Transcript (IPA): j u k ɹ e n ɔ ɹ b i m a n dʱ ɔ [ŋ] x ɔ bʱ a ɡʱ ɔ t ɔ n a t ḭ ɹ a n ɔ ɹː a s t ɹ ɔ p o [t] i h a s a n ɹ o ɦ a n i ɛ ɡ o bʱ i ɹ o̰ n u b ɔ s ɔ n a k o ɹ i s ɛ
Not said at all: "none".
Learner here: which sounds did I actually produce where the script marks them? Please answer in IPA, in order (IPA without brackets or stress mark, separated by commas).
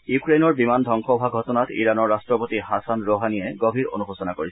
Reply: ŋ, t